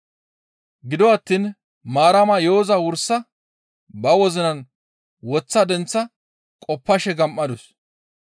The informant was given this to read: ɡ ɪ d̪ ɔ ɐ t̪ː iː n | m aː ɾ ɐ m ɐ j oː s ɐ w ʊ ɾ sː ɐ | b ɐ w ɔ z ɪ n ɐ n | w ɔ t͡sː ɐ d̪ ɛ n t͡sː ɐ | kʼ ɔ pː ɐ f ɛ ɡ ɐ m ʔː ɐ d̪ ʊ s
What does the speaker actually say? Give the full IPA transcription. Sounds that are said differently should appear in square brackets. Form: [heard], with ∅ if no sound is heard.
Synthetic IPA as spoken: ɡ ɪ d̪ ɔ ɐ t̪ː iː n | m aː ɾ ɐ m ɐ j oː [z] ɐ w ʊ ɾ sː ɐ | b ɐ w ɔ z ɪ n ɐ n | w ɔ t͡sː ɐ d̪ ɛ n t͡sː ɐ | kʼ ɔ pː ɐ [ʃ] ɛ ɡ ɐ m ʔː ɐ d̪ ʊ s